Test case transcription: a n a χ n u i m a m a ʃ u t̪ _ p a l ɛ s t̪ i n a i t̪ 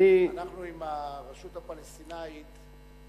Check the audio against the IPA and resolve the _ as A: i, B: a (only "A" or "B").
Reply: B